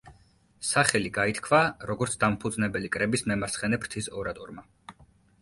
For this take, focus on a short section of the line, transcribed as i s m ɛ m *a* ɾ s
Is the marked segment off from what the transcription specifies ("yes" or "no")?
no